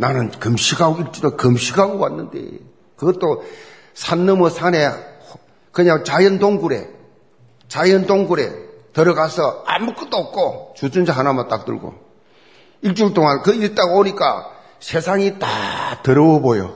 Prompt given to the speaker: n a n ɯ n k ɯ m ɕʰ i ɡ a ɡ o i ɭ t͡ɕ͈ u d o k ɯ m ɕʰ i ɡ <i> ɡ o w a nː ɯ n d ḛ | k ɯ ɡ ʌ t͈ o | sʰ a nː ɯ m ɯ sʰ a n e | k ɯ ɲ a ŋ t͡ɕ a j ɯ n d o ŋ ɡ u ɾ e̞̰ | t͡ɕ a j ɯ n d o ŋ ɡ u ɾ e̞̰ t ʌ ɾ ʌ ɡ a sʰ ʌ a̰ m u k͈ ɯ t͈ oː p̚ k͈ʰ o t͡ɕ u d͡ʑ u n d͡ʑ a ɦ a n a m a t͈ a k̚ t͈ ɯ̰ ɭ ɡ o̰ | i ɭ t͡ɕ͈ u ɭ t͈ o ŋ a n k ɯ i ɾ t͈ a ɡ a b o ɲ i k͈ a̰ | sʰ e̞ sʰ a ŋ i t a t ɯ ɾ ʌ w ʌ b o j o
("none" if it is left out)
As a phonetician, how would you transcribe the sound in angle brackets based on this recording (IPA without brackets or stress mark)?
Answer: a